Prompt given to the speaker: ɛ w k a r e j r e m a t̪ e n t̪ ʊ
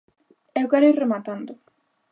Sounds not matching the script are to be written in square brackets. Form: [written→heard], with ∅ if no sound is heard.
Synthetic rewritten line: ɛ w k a [r→ɾ] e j r e m a t̪ [e→a] n [t̪→d̪] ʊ